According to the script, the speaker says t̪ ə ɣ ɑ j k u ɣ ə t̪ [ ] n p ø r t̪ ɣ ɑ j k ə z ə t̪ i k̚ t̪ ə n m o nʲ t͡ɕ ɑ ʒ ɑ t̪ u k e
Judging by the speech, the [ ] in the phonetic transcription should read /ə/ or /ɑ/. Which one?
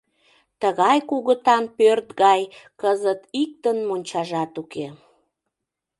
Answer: ɑ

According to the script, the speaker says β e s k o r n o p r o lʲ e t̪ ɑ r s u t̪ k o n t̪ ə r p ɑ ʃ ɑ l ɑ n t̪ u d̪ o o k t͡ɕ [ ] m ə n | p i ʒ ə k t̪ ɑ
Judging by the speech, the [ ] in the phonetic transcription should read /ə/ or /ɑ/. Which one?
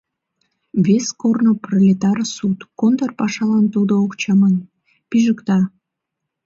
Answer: ɑ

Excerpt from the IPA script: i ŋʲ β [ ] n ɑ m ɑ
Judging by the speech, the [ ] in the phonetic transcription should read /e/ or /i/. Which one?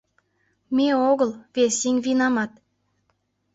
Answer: i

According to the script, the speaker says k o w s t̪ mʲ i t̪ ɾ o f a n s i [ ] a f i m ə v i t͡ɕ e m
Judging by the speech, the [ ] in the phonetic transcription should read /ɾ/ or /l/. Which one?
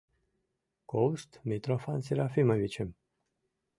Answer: ɾ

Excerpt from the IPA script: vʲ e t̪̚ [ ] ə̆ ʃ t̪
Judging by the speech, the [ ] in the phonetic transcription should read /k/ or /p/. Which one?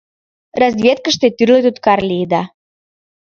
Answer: k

